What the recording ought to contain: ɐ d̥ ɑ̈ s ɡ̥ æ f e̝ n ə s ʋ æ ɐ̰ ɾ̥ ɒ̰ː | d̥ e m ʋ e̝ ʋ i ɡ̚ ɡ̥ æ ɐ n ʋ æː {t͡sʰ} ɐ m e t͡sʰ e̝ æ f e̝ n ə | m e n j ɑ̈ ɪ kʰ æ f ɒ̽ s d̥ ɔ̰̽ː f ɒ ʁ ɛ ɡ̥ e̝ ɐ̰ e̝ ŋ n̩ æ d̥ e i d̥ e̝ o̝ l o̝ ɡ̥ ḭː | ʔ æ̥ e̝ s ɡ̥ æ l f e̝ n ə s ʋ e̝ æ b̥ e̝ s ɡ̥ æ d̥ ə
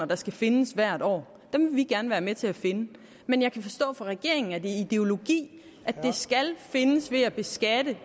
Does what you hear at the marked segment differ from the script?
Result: yes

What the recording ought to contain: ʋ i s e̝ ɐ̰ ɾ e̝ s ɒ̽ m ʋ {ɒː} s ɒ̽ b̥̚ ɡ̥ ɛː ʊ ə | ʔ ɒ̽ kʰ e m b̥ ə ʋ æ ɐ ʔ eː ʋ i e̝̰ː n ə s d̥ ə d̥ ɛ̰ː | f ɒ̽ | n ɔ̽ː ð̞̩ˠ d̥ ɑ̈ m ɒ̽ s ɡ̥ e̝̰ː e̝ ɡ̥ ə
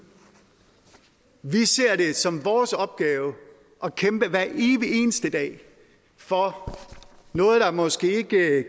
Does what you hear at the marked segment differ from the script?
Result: no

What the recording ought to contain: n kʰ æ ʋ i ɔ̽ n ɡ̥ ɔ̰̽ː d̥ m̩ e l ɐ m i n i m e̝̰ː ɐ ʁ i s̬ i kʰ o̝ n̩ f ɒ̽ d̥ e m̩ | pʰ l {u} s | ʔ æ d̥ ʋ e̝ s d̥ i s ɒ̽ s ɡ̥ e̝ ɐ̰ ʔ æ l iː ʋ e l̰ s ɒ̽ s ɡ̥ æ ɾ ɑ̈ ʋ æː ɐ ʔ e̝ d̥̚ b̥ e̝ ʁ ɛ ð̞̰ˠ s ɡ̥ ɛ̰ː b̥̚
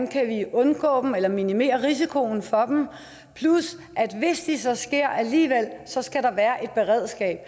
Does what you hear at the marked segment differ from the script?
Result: no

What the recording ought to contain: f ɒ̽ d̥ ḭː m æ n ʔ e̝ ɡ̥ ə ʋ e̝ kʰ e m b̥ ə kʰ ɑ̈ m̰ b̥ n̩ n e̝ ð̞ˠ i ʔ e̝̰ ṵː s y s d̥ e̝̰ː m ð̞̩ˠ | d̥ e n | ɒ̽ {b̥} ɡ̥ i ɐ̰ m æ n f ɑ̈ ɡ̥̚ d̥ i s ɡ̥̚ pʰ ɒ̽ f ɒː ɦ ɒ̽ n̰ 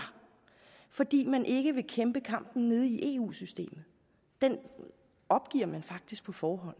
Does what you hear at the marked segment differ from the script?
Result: no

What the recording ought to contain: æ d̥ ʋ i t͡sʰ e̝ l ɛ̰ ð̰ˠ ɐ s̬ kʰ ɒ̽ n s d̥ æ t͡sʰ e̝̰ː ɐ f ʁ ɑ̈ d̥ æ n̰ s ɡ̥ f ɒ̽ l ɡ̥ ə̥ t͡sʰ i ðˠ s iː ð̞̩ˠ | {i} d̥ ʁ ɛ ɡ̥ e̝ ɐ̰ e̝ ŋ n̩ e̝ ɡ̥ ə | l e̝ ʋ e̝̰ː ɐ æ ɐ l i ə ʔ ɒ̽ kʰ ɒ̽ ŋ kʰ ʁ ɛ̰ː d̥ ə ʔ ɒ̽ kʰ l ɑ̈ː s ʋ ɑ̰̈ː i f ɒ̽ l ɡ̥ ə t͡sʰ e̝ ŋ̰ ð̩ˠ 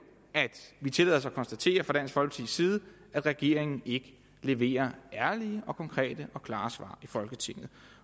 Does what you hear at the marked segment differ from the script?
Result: yes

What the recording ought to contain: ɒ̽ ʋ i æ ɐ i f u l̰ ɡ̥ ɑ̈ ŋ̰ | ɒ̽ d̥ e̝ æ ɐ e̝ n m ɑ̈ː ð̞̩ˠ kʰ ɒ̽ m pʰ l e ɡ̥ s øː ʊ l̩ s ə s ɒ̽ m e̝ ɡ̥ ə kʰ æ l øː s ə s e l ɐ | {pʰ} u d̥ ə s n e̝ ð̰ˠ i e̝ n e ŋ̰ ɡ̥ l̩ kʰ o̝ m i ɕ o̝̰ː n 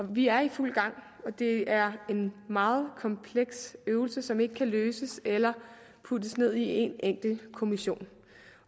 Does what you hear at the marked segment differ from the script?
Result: no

